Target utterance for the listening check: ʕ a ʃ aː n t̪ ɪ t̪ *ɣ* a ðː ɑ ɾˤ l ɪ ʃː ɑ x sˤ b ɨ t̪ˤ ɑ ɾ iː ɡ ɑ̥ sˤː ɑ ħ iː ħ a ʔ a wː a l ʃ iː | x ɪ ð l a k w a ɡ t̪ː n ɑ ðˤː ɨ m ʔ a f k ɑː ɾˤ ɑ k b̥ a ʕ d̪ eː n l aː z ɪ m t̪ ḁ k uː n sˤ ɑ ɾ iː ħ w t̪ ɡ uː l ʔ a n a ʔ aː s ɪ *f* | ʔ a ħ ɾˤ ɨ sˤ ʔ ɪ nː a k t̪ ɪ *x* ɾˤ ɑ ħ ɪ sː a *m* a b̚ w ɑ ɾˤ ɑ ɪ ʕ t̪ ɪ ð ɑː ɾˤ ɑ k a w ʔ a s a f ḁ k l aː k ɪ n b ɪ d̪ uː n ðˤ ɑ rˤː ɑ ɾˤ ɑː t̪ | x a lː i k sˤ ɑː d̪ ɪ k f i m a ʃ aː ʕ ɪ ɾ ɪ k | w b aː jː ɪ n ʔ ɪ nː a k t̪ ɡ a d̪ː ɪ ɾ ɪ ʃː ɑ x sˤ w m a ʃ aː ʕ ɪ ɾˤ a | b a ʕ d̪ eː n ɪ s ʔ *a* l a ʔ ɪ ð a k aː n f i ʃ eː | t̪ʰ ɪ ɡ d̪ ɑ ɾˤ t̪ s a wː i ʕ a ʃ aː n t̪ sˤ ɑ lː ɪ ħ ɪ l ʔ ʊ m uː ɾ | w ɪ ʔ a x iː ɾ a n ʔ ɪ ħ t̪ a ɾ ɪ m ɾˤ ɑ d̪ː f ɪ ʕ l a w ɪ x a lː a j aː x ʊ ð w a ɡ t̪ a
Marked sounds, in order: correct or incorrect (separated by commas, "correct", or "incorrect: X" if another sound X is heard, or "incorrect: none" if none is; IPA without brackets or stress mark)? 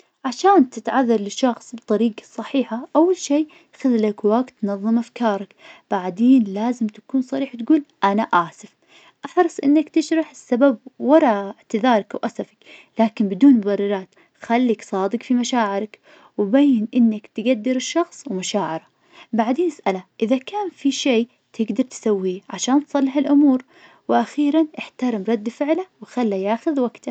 incorrect: ʕ, correct, incorrect: ʃ, incorrect: b, correct